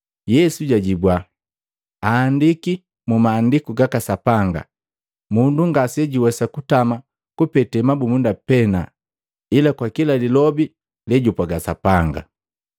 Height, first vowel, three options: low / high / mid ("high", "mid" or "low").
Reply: mid